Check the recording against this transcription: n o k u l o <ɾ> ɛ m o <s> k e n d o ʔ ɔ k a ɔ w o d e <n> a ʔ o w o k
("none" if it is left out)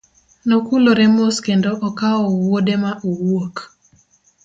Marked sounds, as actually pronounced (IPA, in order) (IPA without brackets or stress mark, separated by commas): ɾ, s, m